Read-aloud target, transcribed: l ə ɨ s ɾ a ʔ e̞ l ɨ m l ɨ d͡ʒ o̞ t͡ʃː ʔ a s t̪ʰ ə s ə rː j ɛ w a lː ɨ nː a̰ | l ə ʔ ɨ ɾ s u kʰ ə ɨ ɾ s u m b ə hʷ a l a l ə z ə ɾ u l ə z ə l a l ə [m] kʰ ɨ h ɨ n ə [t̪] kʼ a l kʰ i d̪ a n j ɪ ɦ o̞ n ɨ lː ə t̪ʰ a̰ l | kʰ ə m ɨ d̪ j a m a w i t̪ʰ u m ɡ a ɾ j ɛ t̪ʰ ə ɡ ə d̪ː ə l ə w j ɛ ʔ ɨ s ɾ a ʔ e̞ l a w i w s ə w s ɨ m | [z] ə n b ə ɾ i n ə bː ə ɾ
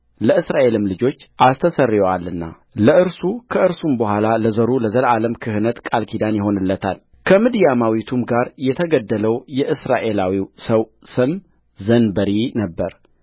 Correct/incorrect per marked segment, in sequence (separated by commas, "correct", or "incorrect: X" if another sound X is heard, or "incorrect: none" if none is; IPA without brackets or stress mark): correct, correct, correct